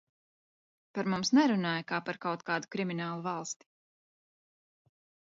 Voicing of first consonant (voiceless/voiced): voiceless